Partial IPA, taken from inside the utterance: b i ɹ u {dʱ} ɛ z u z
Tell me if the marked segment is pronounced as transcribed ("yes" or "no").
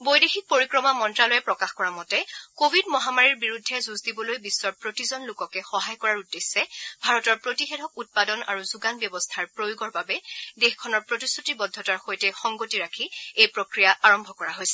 no